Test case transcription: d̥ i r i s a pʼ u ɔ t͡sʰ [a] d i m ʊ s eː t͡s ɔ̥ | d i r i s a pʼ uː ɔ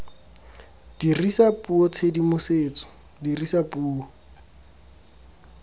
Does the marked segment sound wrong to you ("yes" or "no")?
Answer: yes